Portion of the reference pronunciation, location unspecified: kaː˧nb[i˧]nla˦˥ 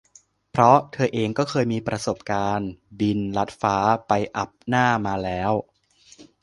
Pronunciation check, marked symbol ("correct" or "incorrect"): correct